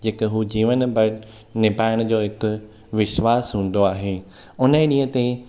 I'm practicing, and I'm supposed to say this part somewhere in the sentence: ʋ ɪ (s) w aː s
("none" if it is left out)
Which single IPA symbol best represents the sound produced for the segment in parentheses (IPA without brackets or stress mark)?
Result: ʃ